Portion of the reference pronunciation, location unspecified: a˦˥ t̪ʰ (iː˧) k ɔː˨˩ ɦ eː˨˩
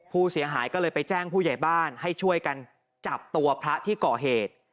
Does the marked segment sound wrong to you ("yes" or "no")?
yes